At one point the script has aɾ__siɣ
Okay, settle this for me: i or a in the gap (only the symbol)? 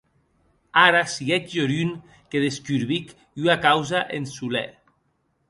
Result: a